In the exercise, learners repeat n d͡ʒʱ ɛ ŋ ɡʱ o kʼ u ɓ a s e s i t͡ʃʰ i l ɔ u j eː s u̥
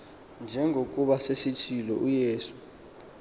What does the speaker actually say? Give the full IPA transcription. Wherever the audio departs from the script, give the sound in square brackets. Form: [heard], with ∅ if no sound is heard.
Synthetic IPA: n d͡ʒʱ ɛ ŋ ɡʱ o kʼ u ɓ a s e s i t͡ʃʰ i l ɔ u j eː s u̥